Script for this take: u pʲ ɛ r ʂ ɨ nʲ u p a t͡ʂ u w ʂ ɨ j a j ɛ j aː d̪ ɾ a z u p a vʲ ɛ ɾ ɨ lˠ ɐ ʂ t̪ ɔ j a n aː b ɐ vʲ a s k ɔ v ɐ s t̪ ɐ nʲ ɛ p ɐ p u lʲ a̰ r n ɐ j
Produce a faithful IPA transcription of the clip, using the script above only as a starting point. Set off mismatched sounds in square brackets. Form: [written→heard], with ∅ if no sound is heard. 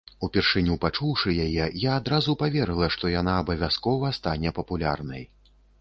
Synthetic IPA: u pʲ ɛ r ʂ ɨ nʲ u p a t͡ʂ u w ʂ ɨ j a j ɛ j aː d̪ ɾ a z u p a vʲ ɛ ɾ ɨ lˠ ɐ ʂ t̪ ɔ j a n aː b ɐ vʲ a s k ɔ v ɐ s t̪ [ɐ→a] nʲ ɛ p ɐ p u lʲ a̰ r n ɐ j